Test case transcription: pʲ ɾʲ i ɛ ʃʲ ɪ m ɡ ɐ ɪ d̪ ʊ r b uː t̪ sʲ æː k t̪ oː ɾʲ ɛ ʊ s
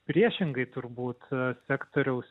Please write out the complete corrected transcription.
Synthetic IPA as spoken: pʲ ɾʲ i ɛ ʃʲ ɪ ŋ ɡ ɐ ɪ t̪ ʊ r b uː t̪ sʲ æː k t̪ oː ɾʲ ɛ ʊ s